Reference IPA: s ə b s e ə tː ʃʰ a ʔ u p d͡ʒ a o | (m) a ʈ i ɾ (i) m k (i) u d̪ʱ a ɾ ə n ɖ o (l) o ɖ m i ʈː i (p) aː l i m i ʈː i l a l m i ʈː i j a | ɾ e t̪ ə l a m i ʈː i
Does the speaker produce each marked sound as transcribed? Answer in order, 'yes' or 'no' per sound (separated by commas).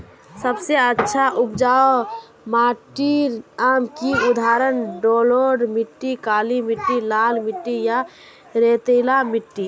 yes, no, yes, yes, no